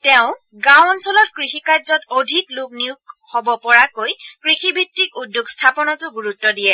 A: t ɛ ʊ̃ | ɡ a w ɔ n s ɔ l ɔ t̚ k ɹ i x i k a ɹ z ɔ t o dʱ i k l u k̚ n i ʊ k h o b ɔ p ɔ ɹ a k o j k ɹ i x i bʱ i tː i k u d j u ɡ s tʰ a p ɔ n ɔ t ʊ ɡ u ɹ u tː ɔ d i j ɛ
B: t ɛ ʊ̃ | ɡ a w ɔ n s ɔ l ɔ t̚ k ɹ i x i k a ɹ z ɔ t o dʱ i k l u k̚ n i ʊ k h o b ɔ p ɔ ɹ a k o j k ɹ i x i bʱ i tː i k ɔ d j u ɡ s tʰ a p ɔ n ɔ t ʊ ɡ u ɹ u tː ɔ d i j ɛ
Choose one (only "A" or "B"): A